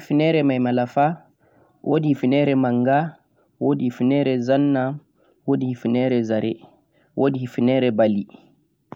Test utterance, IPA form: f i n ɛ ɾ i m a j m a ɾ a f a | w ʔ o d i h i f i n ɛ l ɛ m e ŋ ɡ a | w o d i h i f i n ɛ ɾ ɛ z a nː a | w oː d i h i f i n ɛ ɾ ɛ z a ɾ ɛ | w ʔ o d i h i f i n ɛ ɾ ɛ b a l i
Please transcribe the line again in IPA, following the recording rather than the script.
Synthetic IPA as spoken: f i n ɛ ɾ ɛ m a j m a l a f a | w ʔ o d i h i f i n ɛ ɾ ɛ m a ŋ ɡ a | w o d i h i f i n ɛ ɾ ɛ z a nː a | w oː d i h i f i n ɛ ɾ ɛ z a ɾ ɛ | w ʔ o d i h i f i n ɛ ɾ ɛ b a l i